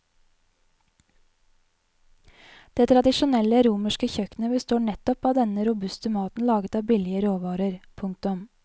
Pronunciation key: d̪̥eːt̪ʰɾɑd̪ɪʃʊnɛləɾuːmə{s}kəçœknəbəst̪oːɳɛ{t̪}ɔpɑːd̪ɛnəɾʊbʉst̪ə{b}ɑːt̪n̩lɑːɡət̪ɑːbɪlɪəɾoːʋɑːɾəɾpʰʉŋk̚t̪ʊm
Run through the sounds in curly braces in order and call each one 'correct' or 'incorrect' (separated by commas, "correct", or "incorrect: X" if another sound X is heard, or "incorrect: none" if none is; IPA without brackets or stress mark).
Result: incorrect: ʃ, correct, incorrect: m